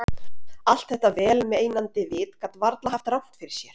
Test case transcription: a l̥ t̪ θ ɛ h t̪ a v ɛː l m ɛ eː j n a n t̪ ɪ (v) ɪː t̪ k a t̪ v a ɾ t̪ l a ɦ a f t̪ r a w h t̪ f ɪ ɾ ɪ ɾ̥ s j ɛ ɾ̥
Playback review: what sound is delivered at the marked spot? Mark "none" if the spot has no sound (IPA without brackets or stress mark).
v